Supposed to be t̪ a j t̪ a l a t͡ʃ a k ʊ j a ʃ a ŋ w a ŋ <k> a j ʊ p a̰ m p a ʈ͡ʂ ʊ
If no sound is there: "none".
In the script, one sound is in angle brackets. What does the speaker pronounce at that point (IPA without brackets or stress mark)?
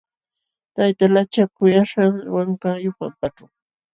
k